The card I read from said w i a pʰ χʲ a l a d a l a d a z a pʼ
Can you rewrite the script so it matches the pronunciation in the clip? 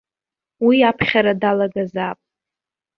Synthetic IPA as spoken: w i a pʰ χʲ a ɾ a d a l a ɡ a z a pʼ